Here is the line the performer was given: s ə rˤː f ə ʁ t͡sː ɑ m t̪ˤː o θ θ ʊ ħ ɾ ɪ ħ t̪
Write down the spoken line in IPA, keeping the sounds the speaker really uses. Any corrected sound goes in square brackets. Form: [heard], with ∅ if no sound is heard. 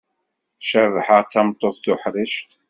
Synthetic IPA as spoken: [ʃ] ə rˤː [ħ] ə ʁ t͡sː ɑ m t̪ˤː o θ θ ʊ ħ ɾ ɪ [ʃ] t̪